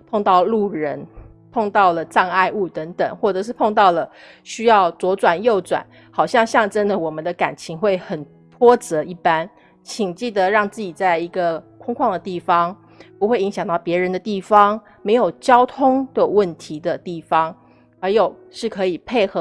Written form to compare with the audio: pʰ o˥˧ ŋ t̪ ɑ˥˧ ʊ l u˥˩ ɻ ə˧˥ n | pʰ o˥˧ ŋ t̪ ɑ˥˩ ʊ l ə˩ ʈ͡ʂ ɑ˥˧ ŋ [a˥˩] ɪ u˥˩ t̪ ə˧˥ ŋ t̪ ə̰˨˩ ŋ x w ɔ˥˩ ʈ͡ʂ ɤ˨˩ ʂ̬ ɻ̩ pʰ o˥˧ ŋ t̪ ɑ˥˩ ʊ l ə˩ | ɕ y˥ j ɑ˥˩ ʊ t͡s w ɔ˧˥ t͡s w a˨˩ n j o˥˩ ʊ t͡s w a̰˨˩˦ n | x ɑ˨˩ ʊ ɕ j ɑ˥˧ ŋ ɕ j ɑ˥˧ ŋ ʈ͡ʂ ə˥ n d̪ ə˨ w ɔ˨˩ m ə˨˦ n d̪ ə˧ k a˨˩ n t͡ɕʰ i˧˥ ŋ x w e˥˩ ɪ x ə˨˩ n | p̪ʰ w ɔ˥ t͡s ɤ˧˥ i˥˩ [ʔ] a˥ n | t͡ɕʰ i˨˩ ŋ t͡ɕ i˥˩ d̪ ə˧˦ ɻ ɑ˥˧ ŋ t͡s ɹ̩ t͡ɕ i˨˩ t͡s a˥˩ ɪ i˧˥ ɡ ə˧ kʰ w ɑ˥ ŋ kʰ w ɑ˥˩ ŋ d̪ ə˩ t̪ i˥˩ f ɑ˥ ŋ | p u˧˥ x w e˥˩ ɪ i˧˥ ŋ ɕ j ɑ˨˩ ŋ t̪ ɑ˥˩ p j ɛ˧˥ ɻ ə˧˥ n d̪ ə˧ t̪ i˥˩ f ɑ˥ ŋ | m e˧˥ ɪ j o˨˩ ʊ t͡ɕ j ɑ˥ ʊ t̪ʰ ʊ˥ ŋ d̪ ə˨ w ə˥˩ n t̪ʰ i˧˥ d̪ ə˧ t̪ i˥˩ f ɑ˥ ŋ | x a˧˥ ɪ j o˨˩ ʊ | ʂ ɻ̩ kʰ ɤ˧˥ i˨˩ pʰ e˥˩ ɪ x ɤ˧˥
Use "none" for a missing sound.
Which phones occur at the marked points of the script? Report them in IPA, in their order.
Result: a˥˧, p

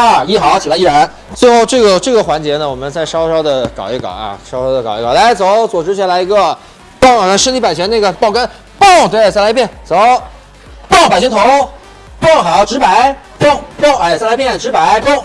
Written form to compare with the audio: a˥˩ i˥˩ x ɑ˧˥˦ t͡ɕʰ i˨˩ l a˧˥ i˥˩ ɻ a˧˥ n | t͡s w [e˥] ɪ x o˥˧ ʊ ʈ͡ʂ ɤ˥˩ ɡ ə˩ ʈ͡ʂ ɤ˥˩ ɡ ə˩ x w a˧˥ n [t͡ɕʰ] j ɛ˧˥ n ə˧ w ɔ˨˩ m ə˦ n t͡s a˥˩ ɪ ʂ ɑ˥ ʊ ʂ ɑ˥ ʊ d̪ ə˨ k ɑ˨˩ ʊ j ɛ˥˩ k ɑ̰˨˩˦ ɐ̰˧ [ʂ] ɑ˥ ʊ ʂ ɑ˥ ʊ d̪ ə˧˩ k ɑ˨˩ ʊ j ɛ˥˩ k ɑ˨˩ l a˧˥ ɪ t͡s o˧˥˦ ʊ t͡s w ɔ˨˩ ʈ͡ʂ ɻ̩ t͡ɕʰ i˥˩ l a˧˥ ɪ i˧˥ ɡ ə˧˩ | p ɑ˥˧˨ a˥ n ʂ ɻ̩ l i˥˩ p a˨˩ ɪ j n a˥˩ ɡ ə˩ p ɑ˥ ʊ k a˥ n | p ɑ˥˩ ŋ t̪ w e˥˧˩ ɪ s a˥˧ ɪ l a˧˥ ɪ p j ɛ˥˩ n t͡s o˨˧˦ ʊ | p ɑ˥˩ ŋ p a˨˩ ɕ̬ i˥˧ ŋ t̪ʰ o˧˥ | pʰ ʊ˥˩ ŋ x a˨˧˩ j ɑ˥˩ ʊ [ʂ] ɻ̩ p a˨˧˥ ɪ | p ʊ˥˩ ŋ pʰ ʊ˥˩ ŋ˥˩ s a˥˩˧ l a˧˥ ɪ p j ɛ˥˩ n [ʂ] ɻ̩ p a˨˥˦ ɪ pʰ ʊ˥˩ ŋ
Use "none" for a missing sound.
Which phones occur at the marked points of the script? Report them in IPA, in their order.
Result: e˥˧, t͡ɕ, ʂ, ʈ͡ʂ, ʈ͡ʂ

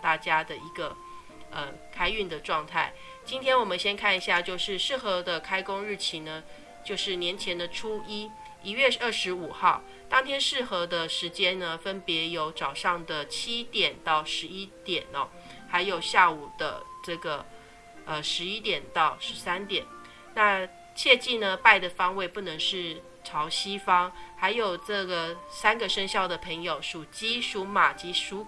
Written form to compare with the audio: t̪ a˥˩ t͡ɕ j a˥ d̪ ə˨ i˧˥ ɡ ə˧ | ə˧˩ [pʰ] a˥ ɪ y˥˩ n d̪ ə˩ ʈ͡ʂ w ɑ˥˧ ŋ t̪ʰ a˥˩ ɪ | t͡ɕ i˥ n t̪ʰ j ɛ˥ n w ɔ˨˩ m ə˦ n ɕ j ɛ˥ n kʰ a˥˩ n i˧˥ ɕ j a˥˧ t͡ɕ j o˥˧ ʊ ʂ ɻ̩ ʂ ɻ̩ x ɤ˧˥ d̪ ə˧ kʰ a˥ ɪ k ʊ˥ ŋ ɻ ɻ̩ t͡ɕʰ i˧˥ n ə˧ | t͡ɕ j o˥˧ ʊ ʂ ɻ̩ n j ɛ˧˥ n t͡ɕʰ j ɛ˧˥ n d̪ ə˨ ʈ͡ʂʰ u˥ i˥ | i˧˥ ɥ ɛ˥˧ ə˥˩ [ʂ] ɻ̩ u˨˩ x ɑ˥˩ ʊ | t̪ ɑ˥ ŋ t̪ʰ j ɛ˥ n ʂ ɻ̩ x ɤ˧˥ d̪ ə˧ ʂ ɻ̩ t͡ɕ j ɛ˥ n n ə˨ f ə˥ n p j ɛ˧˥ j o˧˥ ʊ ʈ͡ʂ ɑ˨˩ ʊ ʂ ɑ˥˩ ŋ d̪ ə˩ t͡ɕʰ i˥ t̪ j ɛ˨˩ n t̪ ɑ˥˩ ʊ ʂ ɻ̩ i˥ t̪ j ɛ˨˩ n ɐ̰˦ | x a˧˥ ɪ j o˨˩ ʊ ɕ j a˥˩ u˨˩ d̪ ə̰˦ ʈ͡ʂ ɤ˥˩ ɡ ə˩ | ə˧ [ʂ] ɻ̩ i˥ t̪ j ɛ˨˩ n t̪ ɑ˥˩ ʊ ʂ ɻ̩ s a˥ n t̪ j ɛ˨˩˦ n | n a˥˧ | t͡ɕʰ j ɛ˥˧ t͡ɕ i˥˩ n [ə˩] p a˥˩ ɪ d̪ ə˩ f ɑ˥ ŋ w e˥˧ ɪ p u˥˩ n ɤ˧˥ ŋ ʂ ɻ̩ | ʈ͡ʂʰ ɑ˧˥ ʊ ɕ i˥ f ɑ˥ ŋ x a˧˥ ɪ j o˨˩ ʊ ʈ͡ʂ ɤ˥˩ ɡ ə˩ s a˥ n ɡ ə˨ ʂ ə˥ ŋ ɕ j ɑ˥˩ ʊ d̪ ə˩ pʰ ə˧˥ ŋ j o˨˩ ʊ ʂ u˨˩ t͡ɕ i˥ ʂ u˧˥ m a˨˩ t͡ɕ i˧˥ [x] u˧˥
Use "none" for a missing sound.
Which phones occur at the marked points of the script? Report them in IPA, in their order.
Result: kʰ, ʂ, ʂ, ə˩, ʂ

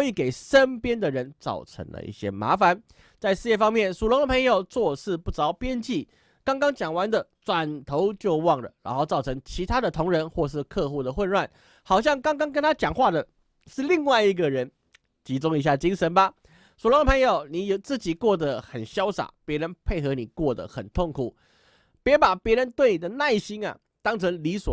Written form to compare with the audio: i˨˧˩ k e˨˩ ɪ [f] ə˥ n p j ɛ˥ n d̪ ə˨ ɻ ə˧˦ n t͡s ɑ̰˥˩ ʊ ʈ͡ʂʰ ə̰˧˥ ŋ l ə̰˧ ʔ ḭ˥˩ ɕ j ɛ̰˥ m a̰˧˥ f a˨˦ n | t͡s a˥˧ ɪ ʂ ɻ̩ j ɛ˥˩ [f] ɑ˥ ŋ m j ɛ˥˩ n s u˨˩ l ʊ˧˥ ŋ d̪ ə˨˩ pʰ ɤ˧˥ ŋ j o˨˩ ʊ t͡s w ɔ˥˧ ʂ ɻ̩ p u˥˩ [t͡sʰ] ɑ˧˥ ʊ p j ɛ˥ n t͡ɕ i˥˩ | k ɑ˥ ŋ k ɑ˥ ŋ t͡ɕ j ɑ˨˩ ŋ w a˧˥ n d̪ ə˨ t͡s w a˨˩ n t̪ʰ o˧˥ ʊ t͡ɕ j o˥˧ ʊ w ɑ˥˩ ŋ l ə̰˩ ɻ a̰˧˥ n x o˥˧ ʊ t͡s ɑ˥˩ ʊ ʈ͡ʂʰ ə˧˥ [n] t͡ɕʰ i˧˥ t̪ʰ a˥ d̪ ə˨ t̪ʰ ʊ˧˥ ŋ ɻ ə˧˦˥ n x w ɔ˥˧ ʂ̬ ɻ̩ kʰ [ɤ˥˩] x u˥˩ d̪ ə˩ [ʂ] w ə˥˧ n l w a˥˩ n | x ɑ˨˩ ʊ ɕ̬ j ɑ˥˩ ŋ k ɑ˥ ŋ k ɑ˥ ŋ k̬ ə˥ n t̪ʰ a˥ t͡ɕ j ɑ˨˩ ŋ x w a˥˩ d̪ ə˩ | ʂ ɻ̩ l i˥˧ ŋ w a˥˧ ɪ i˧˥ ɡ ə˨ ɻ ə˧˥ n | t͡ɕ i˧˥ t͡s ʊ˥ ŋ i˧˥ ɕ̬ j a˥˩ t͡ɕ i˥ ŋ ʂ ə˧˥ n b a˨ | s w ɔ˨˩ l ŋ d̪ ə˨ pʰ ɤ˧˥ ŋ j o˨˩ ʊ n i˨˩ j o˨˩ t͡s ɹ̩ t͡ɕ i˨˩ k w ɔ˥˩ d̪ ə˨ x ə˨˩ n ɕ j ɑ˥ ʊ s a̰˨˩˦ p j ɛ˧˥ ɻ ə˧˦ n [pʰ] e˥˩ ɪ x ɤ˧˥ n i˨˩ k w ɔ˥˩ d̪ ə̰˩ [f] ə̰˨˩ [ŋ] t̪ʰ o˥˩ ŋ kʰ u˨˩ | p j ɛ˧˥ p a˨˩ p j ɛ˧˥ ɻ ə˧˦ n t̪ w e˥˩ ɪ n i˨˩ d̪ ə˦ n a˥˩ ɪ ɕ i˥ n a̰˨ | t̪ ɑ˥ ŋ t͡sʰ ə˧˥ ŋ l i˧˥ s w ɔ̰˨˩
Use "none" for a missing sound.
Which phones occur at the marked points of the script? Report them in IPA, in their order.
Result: ʂ, f, t͡s, ŋ, ɤ˥˧, x, pʰ, x, n

